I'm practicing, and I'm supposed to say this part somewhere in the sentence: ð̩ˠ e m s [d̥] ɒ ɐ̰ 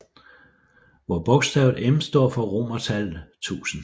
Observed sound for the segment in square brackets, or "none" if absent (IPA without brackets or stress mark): d̥